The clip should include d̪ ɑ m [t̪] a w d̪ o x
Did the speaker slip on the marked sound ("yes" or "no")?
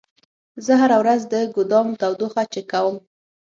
no